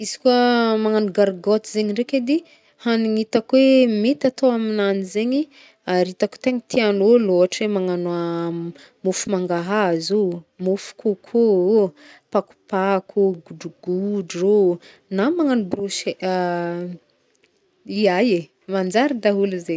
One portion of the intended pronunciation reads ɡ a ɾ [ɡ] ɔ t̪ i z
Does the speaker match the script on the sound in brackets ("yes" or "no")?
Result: yes